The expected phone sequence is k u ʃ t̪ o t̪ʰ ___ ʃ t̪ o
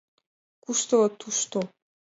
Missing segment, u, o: u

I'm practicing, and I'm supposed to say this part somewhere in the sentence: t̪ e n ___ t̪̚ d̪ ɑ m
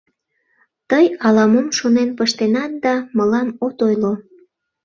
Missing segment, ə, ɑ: ɑ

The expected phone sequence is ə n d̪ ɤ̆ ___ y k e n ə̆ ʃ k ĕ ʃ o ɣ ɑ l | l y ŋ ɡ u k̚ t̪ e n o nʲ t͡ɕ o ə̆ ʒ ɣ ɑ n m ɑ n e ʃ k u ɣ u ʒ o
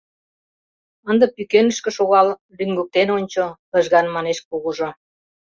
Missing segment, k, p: p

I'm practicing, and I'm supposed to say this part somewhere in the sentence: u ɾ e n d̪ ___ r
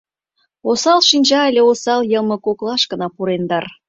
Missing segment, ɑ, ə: ɑ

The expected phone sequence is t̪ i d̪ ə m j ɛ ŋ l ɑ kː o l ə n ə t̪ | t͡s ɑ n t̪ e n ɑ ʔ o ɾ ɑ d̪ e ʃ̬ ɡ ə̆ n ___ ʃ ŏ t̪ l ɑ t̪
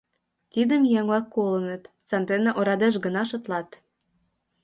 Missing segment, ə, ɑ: ɑ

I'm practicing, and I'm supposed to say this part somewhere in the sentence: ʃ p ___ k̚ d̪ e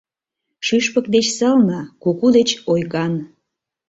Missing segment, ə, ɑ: ə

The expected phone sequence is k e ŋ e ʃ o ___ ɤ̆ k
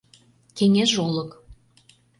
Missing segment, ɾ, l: l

